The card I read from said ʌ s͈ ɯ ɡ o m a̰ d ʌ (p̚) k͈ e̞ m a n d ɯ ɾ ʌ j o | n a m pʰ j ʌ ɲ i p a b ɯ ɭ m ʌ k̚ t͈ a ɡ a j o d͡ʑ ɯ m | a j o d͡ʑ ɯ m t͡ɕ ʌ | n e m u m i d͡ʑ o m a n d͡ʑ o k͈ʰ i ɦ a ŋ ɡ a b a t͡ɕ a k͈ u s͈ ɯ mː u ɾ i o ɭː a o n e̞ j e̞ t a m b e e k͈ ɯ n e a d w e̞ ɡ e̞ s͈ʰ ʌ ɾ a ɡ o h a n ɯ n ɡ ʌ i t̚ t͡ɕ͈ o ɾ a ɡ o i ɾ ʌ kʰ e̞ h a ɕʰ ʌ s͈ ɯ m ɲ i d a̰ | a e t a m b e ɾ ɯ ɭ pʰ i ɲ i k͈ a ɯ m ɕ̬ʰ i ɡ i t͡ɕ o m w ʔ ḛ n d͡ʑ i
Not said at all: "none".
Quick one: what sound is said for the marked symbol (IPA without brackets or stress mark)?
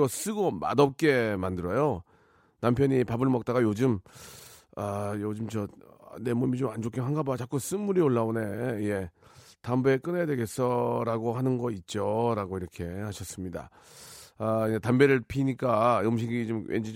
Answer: p̚